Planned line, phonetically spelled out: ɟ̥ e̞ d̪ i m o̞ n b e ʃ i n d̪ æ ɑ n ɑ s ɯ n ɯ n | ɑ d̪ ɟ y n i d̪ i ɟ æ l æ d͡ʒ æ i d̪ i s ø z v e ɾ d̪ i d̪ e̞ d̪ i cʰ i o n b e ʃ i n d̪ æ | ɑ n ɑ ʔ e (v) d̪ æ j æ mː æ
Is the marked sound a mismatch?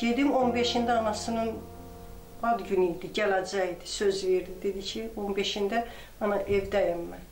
no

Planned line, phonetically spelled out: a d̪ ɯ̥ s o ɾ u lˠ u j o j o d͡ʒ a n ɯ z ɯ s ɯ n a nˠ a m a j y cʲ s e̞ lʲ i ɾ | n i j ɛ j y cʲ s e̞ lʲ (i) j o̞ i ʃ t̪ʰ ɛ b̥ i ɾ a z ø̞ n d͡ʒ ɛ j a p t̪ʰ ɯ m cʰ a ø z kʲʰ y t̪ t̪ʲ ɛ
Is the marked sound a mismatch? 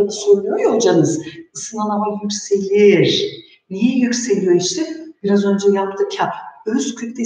no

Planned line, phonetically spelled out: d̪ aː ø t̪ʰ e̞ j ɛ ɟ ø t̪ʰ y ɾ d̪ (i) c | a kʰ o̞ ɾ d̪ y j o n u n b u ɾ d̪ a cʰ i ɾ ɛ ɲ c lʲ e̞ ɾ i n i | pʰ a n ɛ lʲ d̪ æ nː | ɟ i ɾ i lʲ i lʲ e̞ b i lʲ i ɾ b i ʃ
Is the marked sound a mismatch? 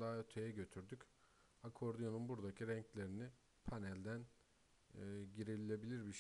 yes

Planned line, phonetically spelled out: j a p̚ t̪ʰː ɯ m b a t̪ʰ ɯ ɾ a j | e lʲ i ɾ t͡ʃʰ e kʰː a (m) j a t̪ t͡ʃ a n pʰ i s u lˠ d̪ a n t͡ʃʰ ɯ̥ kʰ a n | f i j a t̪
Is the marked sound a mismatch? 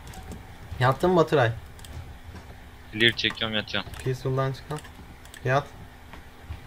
no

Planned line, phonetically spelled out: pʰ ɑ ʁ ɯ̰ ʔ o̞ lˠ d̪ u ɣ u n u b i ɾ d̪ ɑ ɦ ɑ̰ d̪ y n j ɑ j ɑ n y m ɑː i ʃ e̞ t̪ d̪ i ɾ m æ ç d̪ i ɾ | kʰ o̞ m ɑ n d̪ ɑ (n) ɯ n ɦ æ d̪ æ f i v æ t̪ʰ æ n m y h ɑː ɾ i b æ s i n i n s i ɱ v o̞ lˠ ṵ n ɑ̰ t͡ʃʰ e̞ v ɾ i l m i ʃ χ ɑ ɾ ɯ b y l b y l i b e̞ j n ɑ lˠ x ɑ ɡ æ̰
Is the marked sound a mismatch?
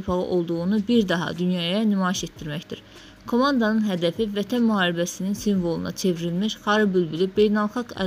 no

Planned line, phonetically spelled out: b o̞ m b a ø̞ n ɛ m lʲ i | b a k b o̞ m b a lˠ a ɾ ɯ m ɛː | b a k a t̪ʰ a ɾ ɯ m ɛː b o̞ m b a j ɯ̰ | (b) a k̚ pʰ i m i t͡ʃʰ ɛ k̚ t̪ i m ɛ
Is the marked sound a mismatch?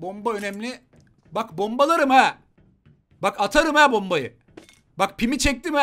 no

